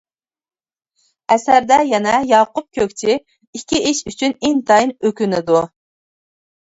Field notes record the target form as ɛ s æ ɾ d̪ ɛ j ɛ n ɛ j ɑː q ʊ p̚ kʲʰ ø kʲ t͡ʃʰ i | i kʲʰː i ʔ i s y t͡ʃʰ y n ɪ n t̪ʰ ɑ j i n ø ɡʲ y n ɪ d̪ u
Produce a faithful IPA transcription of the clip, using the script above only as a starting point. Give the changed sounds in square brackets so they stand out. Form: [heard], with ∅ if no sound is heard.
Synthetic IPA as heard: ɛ s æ ɾ d̪ ɛ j ɛ n ɛ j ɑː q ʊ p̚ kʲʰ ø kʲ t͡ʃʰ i | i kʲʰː i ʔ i [ʃ] y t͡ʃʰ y n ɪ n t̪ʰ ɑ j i n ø [kʲ] y n ɪ d̪ u